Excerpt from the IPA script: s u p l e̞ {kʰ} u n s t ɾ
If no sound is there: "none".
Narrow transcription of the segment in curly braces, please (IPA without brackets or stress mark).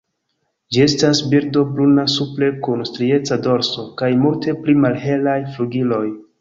k